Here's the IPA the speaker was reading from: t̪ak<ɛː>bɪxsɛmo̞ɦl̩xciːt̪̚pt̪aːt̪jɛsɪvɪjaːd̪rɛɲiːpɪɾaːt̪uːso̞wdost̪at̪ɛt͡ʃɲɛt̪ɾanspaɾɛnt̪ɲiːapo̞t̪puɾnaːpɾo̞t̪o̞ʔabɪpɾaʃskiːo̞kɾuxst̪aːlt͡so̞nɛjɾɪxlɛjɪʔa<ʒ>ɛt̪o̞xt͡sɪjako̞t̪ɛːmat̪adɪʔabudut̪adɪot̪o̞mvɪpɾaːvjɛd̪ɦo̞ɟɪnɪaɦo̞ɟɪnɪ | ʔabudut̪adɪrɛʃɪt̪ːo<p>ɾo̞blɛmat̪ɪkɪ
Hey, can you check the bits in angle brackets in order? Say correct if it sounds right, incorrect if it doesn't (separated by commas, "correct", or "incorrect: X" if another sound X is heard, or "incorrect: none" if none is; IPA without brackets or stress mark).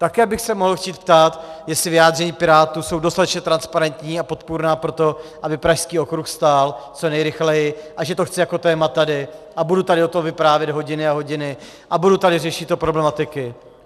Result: correct, correct, correct